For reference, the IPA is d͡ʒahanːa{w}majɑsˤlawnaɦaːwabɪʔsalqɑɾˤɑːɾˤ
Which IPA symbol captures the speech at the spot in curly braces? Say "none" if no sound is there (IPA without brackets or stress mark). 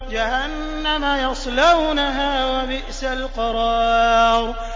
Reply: none